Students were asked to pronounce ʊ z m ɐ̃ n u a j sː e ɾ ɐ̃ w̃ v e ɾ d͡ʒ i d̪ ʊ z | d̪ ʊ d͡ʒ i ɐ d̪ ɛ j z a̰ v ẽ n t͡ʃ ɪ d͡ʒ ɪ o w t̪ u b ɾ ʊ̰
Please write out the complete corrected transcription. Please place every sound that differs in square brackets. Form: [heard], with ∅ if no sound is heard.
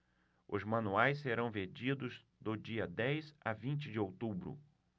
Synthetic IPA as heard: ʊ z m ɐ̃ n u a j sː e ɾ ɐ̃ w̃ v e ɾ d͡ʒ i d̪ ʊ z | d̪ ʊ d͡ʒ i ɐ d̪ ɛ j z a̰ v [ĩ] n t͡ʃ ɪ d͡ʒ ɪ o w t̪ u b ɾ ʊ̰